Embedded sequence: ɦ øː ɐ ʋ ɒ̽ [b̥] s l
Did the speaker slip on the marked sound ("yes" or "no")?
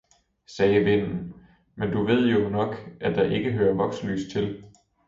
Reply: yes